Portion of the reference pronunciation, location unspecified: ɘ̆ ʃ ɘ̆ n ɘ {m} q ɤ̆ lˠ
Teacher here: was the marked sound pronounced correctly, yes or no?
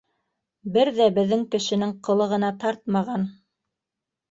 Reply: no